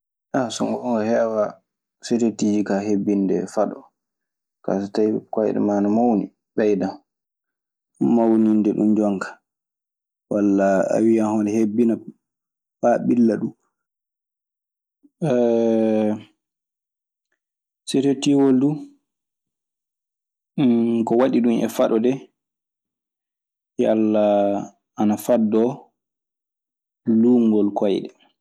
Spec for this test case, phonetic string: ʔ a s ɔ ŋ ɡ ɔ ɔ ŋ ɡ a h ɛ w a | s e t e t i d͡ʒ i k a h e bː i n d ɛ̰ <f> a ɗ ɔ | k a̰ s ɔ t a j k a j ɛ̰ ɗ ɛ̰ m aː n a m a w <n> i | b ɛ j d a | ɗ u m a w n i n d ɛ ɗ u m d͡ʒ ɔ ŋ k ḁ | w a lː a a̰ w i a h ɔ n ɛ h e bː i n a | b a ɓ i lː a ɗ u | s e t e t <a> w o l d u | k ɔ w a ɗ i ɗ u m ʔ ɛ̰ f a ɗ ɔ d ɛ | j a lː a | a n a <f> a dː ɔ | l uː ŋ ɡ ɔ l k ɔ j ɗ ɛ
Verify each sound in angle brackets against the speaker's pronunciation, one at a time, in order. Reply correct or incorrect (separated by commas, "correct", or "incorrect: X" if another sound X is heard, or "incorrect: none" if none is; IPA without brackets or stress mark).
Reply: correct, correct, incorrect: i, correct